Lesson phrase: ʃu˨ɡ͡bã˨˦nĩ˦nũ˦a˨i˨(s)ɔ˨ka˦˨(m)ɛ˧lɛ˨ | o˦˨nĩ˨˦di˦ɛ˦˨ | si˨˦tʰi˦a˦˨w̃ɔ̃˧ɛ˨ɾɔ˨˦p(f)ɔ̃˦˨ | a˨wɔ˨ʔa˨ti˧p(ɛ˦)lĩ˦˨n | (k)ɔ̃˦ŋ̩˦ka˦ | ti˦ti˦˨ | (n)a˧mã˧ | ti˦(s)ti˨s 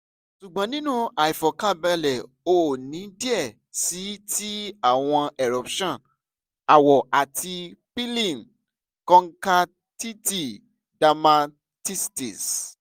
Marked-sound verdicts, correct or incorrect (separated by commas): incorrect, incorrect, incorrect, incorrect, correct, incorrect, correct